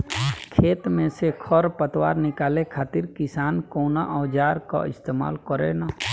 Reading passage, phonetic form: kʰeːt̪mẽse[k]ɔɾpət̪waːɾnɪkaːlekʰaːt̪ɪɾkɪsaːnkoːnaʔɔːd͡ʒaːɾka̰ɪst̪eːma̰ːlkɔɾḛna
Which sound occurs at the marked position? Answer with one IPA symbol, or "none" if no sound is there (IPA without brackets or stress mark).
kʰ